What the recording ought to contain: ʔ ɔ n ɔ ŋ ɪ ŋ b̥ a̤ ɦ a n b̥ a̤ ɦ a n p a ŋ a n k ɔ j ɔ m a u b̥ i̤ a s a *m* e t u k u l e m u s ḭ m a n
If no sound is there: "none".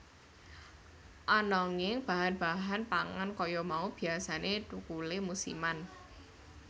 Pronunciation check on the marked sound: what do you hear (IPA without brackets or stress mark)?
n